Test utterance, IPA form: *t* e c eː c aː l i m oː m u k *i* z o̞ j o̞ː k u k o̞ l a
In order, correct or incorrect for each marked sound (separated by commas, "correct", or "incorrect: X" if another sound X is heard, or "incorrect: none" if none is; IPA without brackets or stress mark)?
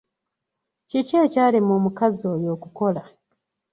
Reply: incorrect: c, incorrect: a